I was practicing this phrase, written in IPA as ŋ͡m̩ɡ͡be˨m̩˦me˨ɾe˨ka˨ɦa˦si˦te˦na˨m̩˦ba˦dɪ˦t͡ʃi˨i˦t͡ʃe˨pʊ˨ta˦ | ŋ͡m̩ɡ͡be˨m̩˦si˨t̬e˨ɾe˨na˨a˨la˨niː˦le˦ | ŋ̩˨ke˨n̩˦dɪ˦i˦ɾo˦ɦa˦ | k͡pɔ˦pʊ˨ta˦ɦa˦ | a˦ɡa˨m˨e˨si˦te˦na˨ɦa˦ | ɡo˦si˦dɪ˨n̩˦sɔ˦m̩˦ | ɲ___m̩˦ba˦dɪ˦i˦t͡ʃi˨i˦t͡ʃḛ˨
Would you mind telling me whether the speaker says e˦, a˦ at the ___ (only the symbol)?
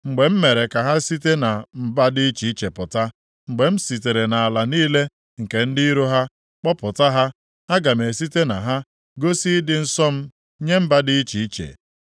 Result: e˦